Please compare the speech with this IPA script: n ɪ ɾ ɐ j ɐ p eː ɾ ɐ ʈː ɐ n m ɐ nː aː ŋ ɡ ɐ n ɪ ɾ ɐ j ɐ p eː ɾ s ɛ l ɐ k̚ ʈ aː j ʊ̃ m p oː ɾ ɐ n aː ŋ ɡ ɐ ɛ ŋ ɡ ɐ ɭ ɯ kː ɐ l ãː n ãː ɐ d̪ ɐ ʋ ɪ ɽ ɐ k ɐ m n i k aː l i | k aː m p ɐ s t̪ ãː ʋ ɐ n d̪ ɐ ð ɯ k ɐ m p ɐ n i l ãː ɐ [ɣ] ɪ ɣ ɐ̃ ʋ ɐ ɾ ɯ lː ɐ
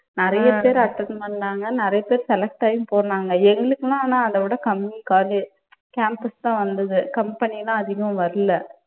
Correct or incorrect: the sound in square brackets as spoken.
incorrect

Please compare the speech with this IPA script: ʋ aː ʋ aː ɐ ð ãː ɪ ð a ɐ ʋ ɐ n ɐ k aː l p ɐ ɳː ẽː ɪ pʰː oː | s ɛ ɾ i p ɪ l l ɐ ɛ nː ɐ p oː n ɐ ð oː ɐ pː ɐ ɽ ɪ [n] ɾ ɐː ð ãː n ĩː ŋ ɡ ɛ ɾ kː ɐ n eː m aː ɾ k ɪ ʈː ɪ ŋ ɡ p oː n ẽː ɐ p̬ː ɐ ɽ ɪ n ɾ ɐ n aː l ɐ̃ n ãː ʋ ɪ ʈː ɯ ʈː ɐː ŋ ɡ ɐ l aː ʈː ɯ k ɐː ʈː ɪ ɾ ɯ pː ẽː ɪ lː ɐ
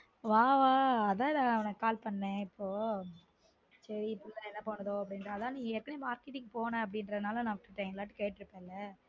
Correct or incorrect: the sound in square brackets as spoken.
correct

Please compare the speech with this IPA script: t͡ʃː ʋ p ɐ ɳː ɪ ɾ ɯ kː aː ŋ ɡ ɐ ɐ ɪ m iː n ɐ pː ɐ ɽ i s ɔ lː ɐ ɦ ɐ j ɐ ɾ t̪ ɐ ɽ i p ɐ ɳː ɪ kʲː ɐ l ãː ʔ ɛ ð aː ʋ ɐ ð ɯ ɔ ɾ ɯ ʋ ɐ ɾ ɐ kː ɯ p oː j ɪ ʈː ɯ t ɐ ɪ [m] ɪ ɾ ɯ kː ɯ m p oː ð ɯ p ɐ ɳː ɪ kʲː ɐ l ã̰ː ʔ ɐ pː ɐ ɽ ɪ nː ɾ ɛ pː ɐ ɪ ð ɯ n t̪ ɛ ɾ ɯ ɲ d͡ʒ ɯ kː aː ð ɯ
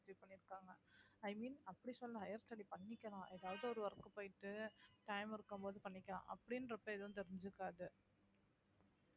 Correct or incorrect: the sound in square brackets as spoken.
correct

